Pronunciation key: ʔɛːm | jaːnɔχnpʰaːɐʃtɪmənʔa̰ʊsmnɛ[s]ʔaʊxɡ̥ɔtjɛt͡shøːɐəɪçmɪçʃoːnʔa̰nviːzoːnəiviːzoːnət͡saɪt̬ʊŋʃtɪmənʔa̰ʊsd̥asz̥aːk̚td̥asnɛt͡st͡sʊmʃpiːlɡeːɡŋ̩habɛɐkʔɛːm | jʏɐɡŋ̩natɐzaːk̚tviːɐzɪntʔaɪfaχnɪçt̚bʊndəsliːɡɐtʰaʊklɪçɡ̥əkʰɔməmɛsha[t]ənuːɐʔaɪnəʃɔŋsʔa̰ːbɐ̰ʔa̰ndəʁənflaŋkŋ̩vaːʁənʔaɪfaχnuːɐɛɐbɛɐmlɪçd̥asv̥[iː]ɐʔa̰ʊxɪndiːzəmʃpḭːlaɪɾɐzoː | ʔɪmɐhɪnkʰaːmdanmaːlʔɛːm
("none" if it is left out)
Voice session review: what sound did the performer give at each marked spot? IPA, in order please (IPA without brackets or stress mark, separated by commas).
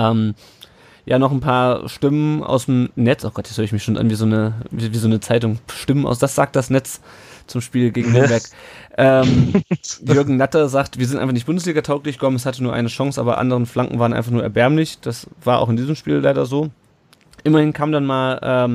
t͡s, t, aː